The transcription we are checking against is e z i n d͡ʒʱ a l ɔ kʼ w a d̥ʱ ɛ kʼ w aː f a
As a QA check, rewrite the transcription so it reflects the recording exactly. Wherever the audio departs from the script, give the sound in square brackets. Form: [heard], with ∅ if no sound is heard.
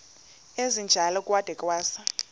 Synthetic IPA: e z i n d͡ʒʱ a l ɔ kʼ w a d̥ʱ ɛ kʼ w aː [s] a